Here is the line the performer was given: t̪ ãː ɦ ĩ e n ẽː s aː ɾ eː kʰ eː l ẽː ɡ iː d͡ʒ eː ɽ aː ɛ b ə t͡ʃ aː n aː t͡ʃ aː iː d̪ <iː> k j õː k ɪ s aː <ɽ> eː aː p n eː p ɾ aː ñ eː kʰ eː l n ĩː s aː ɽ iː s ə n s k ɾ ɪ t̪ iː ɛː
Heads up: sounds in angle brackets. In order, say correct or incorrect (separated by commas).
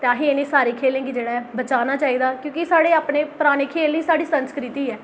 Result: incorrect, correct